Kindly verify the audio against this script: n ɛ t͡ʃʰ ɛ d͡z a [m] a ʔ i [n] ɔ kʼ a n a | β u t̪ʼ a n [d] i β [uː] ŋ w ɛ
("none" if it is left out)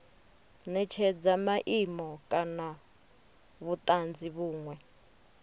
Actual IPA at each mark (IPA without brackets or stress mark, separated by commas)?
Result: m, m, d͡z, uː